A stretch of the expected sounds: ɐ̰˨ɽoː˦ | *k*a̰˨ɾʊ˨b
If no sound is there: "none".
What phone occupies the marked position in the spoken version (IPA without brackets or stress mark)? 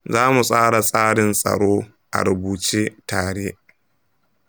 ʔ